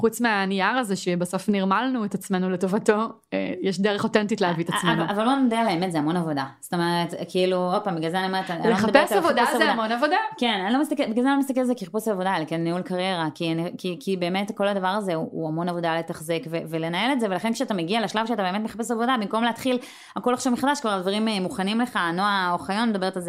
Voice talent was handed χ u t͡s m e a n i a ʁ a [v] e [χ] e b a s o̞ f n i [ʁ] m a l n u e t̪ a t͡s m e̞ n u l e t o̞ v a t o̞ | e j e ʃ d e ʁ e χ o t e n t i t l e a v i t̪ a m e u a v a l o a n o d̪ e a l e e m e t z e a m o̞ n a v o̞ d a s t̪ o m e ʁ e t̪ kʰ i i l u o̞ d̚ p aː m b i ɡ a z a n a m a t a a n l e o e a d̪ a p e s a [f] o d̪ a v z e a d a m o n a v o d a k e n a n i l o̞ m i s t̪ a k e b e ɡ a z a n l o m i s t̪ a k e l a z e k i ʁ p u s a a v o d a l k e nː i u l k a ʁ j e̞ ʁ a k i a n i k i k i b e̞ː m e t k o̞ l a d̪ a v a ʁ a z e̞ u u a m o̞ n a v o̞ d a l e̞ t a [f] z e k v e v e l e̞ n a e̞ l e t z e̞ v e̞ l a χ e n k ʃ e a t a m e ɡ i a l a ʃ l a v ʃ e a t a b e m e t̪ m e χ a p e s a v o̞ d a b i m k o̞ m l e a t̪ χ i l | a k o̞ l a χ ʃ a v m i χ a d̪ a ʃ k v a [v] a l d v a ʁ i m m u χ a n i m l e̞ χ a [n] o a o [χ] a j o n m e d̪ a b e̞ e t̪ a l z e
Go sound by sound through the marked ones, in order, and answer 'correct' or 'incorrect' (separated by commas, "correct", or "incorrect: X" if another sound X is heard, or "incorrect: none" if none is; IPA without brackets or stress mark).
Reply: incorrect: z, incorrect: ʃ, correct, incorrect: v, incorrect: χ, incorrect: ʁ, correct, correct